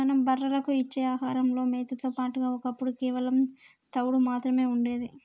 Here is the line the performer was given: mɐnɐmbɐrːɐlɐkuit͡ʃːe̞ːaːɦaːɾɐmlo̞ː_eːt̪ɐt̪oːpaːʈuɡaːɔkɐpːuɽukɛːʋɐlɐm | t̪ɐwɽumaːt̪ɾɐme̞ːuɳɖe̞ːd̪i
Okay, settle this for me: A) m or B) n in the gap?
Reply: A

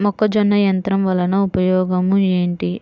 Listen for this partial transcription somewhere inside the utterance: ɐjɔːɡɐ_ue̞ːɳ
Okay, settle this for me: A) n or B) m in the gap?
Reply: B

